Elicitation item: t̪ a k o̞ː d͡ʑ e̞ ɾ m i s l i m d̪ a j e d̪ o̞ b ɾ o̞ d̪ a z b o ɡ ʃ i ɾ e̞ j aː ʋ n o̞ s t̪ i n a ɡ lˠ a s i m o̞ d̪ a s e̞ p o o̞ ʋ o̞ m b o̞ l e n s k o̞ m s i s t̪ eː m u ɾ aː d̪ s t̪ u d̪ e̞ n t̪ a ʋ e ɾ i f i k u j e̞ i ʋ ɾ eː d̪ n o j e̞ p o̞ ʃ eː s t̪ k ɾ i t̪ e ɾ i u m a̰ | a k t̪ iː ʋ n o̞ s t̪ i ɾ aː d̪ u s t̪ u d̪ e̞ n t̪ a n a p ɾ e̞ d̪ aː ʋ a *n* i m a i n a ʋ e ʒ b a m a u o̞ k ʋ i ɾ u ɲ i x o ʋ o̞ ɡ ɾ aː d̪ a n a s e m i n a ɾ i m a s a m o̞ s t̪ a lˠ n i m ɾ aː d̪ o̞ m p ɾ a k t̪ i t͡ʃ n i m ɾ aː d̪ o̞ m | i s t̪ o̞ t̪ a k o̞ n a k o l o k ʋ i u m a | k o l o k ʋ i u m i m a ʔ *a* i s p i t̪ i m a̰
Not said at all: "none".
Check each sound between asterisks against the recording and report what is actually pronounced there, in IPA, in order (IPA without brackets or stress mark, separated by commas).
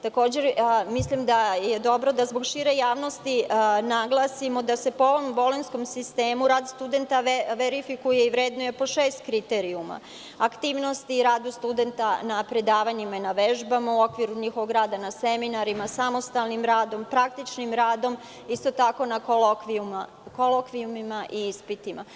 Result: ɲ, i